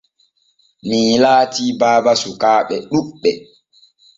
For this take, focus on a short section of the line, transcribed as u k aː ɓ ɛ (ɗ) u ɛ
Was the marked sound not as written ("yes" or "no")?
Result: no